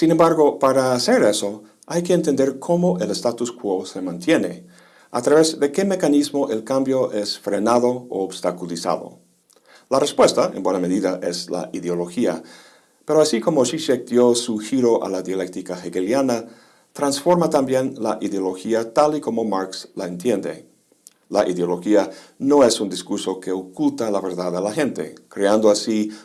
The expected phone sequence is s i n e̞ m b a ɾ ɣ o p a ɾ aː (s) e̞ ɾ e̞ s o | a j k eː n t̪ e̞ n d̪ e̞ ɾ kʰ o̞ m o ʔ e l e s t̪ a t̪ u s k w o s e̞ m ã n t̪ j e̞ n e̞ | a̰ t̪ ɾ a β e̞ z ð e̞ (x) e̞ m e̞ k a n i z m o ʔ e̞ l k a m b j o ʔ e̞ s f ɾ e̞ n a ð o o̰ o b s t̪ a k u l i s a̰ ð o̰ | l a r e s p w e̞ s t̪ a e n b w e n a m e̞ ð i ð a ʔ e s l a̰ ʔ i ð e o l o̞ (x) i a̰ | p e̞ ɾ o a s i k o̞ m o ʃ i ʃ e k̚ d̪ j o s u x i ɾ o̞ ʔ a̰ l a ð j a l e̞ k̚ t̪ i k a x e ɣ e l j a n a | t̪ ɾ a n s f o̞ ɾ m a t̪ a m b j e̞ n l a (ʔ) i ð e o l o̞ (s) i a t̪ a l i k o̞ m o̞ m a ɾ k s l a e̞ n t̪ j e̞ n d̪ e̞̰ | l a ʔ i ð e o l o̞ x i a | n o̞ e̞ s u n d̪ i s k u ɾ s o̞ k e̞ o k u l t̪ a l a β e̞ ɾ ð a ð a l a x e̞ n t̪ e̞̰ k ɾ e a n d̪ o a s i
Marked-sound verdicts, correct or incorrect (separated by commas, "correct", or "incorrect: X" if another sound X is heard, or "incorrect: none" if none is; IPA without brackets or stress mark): correct, incorrect: k, correct, correct, incorrect: x